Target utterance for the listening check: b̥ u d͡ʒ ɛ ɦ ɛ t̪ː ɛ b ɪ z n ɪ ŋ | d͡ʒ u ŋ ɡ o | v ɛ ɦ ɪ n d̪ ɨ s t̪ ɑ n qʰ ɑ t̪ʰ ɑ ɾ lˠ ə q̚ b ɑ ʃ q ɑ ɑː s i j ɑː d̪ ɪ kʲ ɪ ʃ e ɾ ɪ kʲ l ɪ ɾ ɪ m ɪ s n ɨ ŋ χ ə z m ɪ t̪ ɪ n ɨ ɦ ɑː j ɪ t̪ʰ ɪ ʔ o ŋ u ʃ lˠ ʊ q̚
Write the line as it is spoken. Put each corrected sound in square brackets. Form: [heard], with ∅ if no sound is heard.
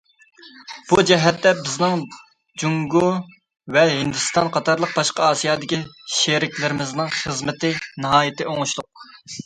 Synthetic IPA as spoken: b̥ u d͡ʒ ɛ ɦ ɛ t̪ː ɛ b ɪ z n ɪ ŋ | d͡ʒ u ŋ ɡ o | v ɛ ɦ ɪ n d̪ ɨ s t̪ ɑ n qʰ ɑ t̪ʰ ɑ ɾ lˠ ə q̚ b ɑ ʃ q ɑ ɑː s i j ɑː d̪ ɪ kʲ [i] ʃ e ɾ ɪ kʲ l ɪ ɾ ɪ m ɪ [z] n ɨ ŋ χ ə z m ɪ t̪ ɪ n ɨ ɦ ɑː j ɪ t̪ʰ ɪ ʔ o ŋ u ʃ lˠ ʊ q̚